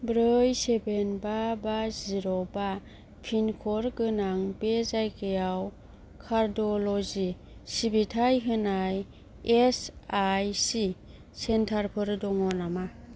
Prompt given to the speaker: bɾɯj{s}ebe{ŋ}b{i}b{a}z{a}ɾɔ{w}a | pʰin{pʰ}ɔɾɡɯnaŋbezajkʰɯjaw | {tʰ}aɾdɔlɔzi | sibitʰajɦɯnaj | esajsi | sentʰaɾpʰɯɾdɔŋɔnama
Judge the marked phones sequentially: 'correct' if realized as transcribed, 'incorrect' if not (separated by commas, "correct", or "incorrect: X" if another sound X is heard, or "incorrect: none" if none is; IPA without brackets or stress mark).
correct, incorrect: n, incorrect: a, correct, incorrect: i, incorrect: b, incorrect: kʰ, incorrect: kʰ